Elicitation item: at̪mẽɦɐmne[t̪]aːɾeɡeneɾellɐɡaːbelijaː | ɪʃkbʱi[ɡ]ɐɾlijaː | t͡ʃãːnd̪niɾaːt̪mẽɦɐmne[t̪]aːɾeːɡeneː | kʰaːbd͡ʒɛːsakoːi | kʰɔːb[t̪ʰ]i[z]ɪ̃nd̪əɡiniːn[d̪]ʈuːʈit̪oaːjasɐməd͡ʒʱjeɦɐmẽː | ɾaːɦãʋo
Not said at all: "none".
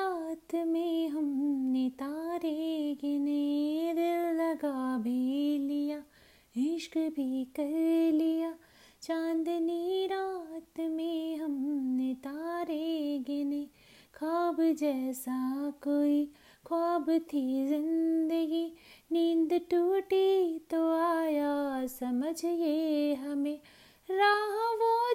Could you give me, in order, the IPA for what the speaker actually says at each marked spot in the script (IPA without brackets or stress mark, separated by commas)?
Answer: t̪, k, t̪, t̪ʰ, z, d̪